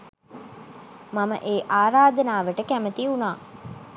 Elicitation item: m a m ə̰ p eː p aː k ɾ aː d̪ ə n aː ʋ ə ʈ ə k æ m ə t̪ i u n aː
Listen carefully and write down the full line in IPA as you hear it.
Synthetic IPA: m a m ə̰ ʔ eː ʔ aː ɾ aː d̪ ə n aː ʋ ə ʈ ə k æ m ə t̪ i u n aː